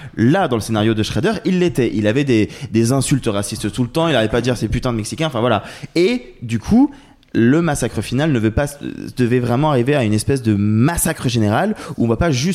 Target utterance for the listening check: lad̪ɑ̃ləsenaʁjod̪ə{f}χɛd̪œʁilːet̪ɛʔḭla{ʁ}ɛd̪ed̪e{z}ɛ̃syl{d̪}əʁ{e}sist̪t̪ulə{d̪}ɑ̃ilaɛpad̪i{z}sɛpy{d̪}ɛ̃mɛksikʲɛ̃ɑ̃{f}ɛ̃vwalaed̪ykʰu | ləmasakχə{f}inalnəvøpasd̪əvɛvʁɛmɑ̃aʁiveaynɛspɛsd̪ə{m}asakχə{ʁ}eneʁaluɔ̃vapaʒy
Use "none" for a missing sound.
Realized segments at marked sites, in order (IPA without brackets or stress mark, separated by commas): ʃ, v, z, t̪, a, t̪, ʁ, t̪, f, f, m, ʒ